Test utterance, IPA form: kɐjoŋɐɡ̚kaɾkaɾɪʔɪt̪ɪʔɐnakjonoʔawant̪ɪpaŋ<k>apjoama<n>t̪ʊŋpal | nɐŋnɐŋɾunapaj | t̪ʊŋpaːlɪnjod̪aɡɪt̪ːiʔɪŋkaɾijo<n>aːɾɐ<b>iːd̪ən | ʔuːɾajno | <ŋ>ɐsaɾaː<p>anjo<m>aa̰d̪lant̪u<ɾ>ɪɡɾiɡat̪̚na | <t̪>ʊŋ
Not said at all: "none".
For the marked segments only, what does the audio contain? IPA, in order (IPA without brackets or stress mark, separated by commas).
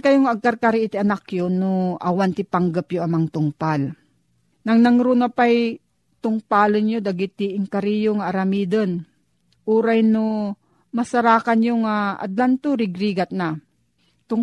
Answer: ɡ, ŋ, ŋ, m, m, k, ŋ, ɾ, t̪